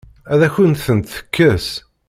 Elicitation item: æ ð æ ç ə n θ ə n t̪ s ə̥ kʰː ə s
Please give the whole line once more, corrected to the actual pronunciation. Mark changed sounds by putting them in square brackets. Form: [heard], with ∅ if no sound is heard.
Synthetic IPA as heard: æ ð æ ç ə n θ ə n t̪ [θ] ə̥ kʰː ə s